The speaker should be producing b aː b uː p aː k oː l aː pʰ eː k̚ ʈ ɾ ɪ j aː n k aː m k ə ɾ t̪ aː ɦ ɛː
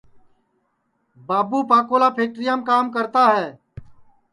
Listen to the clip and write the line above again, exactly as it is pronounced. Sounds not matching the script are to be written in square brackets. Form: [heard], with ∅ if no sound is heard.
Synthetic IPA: b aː b uː p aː k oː l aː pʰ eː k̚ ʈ ɾ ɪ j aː [m] k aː m k ə ɾ t̪ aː ɦ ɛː

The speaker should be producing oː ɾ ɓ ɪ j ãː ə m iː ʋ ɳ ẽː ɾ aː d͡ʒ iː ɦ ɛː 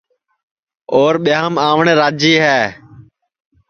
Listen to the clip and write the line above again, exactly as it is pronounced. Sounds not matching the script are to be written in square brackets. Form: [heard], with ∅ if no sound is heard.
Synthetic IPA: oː ɾ ɓ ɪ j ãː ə m [aː] ʋ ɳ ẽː ɾ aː d͡ʒ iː ɦ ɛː

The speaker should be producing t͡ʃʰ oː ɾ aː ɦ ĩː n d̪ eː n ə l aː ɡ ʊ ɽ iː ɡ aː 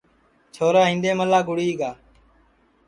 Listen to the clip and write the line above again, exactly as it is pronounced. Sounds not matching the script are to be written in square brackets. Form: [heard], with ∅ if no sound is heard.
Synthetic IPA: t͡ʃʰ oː ɾ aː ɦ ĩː n d̪ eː [m] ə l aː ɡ ʊ ɽ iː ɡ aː

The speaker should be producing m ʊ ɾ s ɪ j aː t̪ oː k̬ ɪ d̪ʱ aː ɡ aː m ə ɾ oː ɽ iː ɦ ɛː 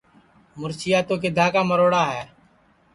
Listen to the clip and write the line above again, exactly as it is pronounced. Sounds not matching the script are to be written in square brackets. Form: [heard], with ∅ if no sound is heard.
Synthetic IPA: m ʊ ɾ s ɪ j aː t̪ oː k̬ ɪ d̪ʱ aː [k] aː m ə ɾ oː ɽ [aː] ɦ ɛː

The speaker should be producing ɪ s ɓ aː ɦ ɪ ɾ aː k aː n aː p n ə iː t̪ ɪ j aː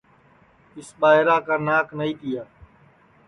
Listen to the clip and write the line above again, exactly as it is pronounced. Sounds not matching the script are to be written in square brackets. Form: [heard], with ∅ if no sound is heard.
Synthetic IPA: ɪ s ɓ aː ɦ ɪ ɾ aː k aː n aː [k] n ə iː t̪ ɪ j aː

